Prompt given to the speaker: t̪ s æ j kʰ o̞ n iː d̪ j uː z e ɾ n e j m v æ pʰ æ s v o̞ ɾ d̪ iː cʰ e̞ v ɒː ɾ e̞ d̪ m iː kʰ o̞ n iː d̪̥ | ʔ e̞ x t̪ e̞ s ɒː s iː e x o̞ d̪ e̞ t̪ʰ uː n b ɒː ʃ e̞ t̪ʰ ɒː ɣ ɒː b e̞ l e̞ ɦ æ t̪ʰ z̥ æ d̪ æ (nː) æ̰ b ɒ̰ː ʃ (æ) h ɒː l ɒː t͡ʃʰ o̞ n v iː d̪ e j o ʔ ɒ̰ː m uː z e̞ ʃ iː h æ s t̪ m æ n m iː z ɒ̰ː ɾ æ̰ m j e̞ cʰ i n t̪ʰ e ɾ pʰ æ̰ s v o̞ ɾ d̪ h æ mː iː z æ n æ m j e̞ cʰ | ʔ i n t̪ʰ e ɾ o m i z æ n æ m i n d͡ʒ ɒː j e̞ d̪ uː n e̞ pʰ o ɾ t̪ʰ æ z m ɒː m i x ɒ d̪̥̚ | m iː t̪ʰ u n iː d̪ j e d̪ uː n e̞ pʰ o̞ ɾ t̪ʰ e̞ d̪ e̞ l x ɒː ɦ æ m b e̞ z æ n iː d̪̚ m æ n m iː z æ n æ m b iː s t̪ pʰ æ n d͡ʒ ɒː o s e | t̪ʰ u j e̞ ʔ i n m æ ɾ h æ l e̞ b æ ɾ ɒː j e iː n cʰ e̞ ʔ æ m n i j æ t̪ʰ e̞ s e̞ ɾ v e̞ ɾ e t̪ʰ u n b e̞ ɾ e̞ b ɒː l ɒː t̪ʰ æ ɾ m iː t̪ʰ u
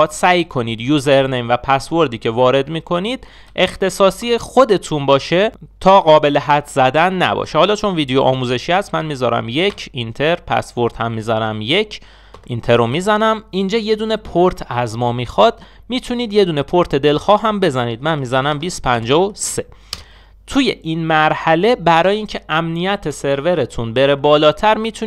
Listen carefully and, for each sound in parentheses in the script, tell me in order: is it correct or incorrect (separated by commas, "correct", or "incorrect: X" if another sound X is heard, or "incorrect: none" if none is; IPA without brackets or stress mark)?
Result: correct, incorrect: e